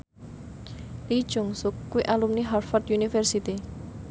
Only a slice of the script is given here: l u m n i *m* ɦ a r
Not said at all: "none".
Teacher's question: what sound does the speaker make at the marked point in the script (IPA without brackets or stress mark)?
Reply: none